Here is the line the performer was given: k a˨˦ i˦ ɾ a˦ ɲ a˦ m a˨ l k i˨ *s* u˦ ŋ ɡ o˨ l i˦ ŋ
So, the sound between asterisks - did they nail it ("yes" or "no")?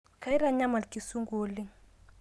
yes